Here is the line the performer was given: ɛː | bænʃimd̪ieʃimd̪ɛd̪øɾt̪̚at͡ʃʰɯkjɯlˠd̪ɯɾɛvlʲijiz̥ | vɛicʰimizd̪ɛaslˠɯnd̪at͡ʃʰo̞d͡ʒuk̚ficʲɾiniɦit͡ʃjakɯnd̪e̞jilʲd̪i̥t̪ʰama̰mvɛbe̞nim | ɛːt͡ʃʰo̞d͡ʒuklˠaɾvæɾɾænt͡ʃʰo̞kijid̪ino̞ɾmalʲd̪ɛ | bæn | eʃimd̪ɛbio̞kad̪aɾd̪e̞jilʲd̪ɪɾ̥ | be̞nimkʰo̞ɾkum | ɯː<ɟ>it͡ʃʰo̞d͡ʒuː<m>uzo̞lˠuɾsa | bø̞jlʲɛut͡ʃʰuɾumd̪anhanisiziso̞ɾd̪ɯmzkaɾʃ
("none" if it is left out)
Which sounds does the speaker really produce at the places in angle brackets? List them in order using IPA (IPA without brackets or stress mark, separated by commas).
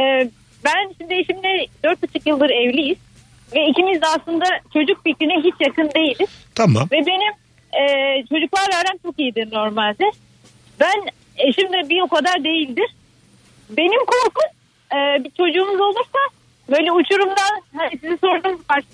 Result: b, m